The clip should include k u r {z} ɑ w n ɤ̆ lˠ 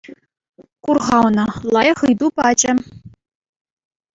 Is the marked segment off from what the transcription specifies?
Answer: yes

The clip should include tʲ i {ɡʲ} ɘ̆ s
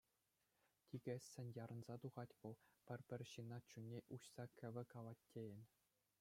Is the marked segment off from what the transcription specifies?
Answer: no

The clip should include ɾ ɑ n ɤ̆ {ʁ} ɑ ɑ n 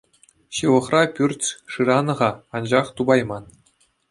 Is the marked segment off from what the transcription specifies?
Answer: no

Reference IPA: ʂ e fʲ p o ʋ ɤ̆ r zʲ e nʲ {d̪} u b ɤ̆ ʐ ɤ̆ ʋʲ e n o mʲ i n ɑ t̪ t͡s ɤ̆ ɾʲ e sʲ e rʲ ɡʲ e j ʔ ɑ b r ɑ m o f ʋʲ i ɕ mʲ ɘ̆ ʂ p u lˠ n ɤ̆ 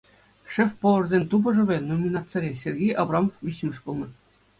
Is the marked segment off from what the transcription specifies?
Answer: yes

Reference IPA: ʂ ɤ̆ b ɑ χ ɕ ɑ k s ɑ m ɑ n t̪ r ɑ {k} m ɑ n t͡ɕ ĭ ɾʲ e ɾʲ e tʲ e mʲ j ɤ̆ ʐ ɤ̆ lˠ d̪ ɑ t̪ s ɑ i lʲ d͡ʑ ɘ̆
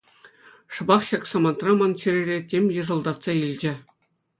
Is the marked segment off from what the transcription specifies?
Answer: yes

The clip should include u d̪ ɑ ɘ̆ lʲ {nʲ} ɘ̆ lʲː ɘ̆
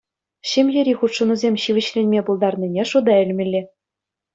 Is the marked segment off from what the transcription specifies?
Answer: yes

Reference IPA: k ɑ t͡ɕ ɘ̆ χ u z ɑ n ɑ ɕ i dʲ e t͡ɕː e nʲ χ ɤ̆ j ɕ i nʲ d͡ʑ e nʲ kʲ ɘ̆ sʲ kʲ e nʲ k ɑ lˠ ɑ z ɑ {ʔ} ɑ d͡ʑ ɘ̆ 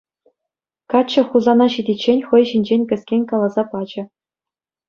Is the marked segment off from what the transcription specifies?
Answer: yes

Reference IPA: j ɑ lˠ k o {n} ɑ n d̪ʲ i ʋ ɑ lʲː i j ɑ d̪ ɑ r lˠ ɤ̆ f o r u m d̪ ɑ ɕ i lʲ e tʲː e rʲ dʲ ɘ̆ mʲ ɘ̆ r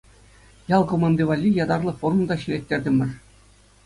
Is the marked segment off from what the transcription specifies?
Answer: yes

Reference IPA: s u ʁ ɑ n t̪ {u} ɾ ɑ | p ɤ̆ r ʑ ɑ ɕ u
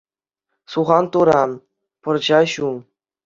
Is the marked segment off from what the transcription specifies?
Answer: no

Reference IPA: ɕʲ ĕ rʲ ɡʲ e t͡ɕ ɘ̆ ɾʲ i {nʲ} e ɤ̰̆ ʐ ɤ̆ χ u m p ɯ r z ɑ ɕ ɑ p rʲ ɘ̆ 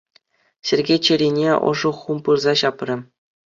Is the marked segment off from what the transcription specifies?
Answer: no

